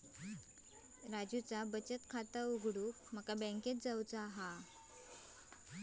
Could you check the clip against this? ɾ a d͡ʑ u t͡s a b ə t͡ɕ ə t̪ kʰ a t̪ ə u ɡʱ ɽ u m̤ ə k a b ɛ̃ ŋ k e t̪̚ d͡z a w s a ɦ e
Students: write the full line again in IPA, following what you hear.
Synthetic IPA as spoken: ɾ a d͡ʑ u t͡s a b ə t͡ɕ ə t̪ kʰ a t̪ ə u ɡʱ ɽ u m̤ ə k a b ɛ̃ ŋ k e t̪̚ d͡z a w t͡s a ɦ a